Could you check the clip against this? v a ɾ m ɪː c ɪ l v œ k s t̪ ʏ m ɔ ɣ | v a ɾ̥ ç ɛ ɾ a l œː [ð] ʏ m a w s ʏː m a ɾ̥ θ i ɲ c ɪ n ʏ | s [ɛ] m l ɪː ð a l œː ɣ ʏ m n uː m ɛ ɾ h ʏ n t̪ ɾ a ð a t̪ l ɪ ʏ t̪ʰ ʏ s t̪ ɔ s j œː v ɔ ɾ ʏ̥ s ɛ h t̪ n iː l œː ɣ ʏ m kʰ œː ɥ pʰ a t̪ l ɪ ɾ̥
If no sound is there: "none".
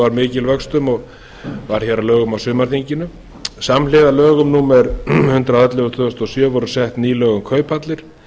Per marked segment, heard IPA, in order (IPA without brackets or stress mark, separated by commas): ɣ, a